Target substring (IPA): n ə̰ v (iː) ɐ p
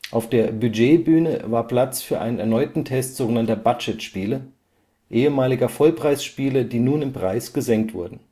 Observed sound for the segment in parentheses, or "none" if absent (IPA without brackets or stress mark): aː